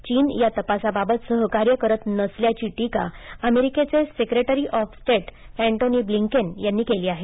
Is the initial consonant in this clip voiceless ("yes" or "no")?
yes